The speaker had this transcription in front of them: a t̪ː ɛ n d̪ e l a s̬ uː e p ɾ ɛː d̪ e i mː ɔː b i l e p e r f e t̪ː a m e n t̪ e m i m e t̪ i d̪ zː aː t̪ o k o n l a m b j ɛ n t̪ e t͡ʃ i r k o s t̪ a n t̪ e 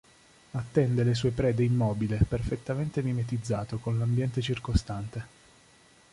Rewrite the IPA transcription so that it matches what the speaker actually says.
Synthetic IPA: a t̪ː ɛ n d̪ e l e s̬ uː e p ɾ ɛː d̪ e i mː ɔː b i l e p e r f e t̪ː a m e n t̪ e m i m e t̪ i d̪ zː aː t̪ o k o n l a m b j ɛ n t̪ e t͡ʃ i r k o s t̪ a n t̪ e

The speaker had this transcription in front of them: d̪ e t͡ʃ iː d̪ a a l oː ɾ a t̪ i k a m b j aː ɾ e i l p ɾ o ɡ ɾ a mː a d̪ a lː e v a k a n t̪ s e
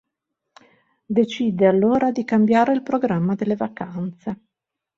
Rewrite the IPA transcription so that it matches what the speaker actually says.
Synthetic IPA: d̪ e t͡ʃ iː d̪ e a lː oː ɾ a d̪ i k a m b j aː ɾ e i l p ɾ o ɡ ɾ a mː a d̪ e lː e v a k a n t̪ s e

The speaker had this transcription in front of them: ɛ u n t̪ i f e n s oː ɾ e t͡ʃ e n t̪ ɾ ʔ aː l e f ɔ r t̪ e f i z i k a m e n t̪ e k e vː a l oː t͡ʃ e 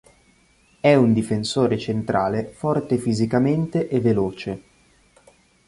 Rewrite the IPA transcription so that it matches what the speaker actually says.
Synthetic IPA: ɛ u n d̪ i f e n s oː ɾ e t͡ʃ e n t̪ ɾ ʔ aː l e f ɔ r t̪ e f i z i k a m e n t̪ e ʔ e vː e l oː t͡ʃ e

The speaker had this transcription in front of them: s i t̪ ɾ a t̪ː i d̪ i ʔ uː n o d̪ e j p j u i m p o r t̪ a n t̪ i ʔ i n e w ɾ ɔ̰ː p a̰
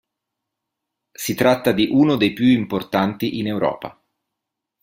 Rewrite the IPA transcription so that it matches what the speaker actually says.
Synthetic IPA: s i t̪ ɾ a t̪ː a d̪ i ʔ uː n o d̪ e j p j u i m p o r t̪ a n t̪ i ʔ i n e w ɾ ɔ̰ː p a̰

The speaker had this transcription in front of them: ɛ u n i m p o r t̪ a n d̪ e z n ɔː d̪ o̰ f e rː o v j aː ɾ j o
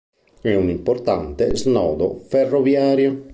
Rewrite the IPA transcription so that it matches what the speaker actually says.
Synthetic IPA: ɛ u n i m p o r t̪ a n t̪ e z n ɔː d̪ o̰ f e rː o v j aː ɾ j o

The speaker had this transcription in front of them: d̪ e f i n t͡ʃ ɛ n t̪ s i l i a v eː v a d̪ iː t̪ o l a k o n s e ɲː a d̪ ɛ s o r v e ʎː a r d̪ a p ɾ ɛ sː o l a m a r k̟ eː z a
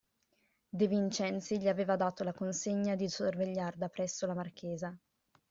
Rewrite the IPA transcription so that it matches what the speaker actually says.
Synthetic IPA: d̪ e v i n t͡ʃ ɛ n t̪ s i ʎ i a v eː v a d̪ aː t̪ o l a k o n s e ɲː a d̪ i s o r v e ʎː a r d̪ a p ɾ ɛ sː o l a m a r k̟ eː z a

